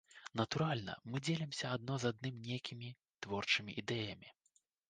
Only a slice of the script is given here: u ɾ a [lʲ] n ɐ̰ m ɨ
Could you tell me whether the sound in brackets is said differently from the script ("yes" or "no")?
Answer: no